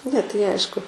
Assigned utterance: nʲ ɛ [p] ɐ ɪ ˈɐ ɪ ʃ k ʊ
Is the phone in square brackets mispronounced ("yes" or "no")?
yes